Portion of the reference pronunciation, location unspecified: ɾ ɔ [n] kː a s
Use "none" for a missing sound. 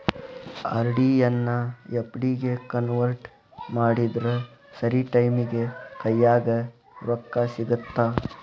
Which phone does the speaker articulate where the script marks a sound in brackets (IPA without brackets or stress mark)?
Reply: none